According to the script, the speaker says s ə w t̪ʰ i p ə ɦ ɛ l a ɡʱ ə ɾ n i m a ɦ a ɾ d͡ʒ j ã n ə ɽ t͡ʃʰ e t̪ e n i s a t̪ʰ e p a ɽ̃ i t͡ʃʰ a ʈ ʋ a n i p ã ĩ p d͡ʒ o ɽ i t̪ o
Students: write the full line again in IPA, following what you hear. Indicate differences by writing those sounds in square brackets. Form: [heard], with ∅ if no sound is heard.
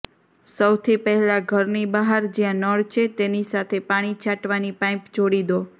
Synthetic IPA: s ə w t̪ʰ i p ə ɦ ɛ l a ɡʱ ə ɾ n i [b] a ɦ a ɾ d͡ʒ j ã n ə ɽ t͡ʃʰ e t̪ e n i s a t̪ʰ e p a ɽ̃ i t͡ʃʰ a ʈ ʋ a n i p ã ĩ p d͡ʒ o ɽ i [d̪] o